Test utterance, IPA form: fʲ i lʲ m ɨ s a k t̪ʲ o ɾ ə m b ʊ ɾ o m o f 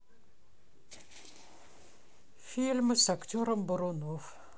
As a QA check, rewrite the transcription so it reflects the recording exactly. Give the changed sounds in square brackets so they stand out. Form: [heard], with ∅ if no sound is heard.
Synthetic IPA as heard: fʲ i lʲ m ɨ s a k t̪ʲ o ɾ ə m b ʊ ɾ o [n] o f